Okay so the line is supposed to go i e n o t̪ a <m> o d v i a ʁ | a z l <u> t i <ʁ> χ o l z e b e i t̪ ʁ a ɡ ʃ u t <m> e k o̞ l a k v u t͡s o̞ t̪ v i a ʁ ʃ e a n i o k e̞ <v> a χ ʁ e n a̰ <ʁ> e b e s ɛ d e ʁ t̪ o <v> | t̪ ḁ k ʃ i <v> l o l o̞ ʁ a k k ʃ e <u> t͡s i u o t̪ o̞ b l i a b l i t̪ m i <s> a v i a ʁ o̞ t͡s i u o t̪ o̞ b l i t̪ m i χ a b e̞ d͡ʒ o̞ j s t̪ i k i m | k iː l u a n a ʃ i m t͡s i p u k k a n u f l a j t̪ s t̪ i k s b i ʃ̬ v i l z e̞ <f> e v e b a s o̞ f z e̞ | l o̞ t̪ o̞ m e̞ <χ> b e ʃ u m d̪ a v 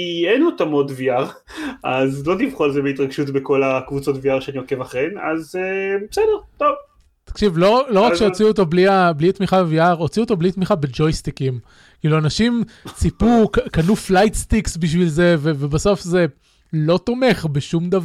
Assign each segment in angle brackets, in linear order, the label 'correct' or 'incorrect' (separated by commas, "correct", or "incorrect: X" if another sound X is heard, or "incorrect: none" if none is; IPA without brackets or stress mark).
correct, incorrect: o, incorrect: v, incorrect: b, correct, incorrect: z, correct, correct, incorrect: o, incorrect: χ, incorrect: v, correct